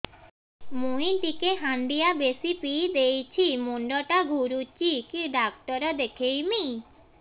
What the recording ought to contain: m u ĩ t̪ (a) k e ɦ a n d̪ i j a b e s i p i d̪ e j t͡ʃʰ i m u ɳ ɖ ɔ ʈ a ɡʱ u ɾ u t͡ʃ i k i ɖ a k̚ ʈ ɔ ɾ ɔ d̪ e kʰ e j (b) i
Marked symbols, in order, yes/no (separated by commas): no, no